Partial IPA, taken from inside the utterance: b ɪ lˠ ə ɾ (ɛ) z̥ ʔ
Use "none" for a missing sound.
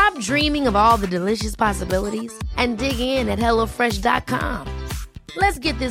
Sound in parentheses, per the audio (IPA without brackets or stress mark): i